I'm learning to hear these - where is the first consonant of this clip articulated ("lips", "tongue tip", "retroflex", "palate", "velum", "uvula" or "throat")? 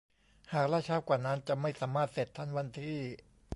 throat